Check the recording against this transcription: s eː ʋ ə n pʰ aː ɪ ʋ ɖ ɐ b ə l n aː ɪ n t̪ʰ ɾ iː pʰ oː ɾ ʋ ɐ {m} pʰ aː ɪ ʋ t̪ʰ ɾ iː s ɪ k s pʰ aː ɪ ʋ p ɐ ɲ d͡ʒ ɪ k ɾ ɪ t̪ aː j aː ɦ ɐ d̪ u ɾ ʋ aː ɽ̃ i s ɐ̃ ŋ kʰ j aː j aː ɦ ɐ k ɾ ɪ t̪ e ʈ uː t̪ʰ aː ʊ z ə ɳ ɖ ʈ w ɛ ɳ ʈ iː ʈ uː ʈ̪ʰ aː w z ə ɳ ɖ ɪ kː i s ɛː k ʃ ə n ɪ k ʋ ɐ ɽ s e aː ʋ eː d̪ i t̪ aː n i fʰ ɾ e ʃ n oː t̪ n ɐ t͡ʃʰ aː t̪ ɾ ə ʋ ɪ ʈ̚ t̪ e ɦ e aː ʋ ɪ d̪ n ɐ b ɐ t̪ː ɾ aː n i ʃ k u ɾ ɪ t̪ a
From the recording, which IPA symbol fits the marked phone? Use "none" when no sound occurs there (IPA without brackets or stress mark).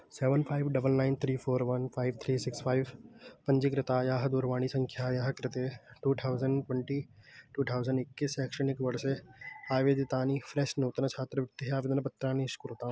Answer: n